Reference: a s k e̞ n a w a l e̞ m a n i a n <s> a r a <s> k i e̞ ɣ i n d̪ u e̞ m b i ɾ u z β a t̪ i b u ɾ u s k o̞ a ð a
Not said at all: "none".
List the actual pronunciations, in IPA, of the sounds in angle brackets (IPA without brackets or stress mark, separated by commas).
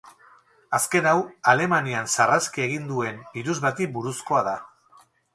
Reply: s, s